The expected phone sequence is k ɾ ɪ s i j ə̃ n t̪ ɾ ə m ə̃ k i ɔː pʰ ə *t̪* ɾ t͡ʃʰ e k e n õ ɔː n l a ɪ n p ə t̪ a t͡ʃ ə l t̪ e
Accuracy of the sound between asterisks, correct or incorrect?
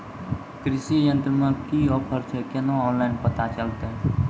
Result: incorrect: none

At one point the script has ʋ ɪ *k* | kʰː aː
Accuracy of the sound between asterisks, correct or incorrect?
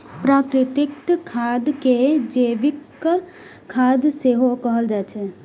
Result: correct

